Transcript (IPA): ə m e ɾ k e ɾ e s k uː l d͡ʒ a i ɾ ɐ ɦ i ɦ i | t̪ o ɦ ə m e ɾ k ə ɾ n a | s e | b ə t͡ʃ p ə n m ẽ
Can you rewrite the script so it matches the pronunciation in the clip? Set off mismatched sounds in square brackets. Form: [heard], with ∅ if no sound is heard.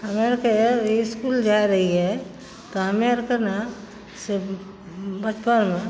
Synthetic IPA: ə m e ɾ k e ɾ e s k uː l d͡ʒ a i ɾ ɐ ɦ i ɦ [ɛ] | t̪ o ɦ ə m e ɾ k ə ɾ n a | s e | b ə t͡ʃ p ə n m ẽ